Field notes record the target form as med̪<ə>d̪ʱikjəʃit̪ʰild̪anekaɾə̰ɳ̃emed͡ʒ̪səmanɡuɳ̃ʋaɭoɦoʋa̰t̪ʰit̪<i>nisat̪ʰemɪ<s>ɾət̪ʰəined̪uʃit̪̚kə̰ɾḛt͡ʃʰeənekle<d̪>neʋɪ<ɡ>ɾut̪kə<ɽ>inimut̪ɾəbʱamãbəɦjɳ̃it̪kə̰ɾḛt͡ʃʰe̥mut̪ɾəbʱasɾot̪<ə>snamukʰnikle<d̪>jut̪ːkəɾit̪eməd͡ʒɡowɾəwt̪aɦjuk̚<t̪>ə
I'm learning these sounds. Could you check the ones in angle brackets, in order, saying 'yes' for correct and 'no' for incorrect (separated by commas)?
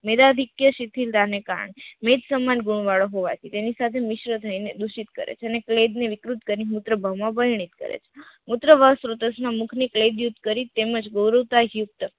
no, no, no, yes, no, no, yes, yes, yes